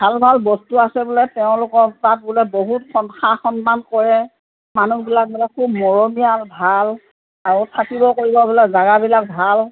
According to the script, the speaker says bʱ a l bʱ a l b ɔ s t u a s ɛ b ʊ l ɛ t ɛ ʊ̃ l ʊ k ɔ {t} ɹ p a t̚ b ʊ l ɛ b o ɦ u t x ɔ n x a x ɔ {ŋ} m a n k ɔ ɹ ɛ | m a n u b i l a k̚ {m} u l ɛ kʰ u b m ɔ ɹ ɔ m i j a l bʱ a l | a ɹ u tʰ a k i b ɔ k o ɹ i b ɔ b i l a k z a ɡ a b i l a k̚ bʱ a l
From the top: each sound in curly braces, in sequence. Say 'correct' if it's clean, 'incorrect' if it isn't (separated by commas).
incorrect, incorrect, incorrect